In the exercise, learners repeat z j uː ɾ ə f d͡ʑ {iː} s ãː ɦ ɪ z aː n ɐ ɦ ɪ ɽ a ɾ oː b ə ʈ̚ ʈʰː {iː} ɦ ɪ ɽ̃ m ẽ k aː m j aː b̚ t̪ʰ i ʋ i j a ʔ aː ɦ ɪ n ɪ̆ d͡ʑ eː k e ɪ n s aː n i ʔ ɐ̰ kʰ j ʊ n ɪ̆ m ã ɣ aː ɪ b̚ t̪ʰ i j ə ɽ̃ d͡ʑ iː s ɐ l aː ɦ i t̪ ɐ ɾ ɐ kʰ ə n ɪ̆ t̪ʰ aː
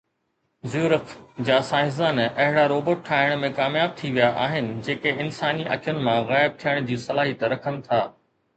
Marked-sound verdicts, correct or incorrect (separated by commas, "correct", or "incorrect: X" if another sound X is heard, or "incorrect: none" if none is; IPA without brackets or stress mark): incorrect: aː, incorrect: aː